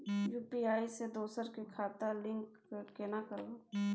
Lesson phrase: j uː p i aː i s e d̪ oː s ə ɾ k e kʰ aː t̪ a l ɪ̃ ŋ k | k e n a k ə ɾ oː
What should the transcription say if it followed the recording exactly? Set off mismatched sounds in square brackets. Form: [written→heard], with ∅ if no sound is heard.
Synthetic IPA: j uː p i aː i s e d̪ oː s ə ɾ k e kʰ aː t̪ a l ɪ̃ ŋ k | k e n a k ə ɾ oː